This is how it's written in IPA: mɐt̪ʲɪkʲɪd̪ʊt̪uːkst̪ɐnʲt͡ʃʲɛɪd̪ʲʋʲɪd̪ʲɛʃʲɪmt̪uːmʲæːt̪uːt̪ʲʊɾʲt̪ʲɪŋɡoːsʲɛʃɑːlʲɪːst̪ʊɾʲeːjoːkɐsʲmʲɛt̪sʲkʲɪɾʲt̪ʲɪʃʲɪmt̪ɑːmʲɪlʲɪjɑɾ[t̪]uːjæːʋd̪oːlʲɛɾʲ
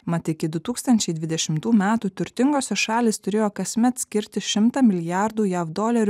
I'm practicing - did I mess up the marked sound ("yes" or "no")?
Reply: yes